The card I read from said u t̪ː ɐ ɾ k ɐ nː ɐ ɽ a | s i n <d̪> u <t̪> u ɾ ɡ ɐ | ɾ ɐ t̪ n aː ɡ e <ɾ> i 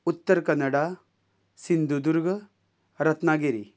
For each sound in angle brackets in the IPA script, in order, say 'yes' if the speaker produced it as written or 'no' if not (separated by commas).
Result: yes, no, yes